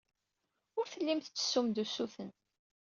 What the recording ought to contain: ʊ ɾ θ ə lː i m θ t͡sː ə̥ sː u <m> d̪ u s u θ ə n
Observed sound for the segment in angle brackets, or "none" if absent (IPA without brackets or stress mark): m